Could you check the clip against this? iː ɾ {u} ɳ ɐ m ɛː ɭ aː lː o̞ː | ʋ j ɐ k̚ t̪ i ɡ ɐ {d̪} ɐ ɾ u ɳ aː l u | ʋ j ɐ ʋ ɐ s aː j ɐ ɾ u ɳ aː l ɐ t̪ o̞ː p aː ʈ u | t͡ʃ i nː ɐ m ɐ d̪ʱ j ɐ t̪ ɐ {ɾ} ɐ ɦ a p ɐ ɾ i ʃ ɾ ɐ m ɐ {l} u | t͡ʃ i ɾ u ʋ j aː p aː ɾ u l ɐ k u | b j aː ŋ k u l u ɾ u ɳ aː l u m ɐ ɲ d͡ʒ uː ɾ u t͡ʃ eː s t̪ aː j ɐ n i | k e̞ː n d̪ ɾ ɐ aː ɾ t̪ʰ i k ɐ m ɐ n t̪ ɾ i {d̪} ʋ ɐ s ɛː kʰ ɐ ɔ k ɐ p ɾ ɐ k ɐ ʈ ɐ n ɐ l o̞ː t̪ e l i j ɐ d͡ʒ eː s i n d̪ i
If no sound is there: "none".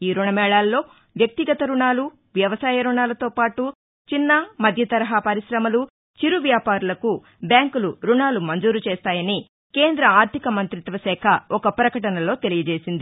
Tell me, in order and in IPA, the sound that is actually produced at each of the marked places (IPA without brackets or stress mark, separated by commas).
u, t̪, ɾ, l, t̪